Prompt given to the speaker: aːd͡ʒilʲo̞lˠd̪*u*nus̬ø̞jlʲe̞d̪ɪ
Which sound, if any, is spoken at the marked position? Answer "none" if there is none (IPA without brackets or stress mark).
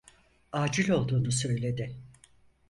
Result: uː